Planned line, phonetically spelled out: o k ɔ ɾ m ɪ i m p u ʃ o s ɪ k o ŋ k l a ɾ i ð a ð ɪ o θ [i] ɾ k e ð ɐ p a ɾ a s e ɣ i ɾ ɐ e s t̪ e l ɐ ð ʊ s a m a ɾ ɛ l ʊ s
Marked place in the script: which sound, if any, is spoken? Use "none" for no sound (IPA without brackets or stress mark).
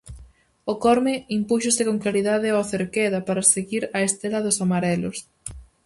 e